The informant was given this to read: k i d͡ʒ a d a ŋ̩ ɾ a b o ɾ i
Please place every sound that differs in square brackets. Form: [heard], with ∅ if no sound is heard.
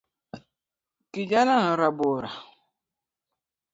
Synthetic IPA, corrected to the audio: k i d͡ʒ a [n] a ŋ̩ ɾ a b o ɾ [a]